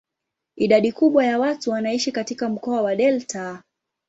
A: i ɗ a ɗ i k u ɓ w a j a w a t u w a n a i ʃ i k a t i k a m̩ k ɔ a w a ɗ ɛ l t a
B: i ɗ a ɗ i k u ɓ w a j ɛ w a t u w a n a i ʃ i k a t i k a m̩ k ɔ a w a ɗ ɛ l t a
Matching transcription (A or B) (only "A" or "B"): A